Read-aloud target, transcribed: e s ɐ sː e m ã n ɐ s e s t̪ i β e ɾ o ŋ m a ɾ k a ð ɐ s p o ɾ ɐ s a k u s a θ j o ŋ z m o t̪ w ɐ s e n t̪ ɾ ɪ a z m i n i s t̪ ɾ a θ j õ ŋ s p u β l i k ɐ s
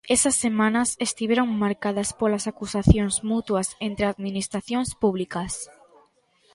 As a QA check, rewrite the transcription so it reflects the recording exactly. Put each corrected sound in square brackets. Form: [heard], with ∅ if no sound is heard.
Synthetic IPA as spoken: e s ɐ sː e m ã n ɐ s e s t̪ i β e ɾ o ŋ m a ɾ k a ð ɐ s p o [l] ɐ s a k u s a θ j o ŋ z m [u] t̪ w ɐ s e n t̪ ɾ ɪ a [ð] m i n i s t̪ ɾ a θ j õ ŋ s p u β l i k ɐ s